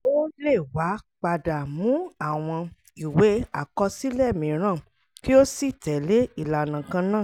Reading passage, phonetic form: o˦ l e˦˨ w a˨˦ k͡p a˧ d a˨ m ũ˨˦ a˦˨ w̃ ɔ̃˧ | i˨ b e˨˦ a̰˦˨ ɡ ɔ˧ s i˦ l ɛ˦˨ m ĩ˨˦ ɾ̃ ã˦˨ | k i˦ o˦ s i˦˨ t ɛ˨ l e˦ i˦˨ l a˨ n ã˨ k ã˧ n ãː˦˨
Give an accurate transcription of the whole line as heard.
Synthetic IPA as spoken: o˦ l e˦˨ w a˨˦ k͡p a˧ d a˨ m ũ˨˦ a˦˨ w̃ ɔ̃˧ | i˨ w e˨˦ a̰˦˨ k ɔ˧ s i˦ l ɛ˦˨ m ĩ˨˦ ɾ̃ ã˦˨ | k i˦ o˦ s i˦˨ t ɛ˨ l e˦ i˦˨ l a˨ n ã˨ k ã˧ n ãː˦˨